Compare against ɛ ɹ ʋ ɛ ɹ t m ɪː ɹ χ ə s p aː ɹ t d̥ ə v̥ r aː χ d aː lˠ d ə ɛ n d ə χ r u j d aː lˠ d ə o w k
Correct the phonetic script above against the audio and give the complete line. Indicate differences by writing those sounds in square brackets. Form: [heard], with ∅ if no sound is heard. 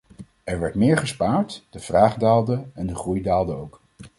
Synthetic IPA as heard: ɛ ɹ ʋ ɛ ɹ t m ɪː ɹ χ ə s p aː ɹ t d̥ ə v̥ r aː χ d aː lˠ d ə ɛ n d ə χ r u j d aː lˠ d ə o w k